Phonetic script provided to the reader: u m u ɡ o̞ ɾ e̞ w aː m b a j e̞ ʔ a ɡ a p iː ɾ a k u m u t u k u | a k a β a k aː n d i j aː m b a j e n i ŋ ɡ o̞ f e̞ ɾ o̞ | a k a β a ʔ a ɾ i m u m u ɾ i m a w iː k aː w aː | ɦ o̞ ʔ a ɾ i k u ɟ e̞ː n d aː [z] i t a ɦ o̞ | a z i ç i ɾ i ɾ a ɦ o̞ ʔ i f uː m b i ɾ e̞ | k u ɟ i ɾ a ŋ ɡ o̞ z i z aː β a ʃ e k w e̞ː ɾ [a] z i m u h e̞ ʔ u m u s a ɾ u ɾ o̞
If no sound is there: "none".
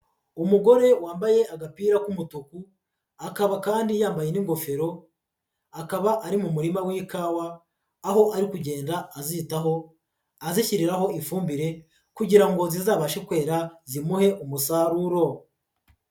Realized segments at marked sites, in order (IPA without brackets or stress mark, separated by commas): z, a